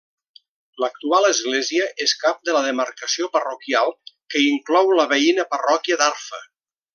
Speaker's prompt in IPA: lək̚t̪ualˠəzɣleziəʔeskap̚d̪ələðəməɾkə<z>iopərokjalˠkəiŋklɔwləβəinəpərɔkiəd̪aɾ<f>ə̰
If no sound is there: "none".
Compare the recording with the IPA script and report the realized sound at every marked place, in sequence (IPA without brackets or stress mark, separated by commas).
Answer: s, f